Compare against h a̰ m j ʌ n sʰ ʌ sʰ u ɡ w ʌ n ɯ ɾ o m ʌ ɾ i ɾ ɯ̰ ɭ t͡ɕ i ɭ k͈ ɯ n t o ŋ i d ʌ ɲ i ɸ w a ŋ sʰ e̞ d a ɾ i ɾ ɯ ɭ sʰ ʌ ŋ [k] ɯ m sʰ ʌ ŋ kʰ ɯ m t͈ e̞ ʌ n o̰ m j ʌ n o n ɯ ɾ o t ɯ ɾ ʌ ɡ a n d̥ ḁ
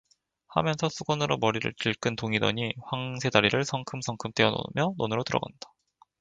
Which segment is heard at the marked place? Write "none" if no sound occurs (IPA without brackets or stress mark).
kʰ